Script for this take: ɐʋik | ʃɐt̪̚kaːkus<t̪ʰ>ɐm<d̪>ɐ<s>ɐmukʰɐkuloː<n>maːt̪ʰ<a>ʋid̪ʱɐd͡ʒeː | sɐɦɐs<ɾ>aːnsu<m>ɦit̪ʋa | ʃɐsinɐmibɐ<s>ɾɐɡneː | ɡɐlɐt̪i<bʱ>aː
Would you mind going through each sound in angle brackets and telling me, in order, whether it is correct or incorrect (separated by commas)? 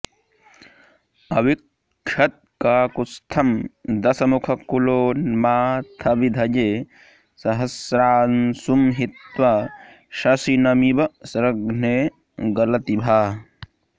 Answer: correct, correct, correct, correct, incorrect, correct, correct, correct, correct